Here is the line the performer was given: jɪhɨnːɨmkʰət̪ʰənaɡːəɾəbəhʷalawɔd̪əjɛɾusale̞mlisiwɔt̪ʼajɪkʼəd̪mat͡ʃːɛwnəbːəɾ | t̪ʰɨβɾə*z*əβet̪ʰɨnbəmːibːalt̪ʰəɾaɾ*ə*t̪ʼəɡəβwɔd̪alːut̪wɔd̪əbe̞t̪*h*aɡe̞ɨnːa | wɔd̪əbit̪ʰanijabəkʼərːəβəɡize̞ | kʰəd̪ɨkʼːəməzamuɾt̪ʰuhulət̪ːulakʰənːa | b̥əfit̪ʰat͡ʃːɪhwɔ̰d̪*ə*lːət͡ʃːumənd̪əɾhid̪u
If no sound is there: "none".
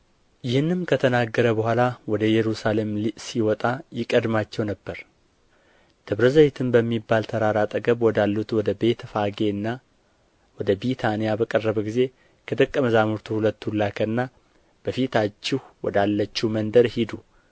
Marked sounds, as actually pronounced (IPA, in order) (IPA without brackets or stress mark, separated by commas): z, a, f, a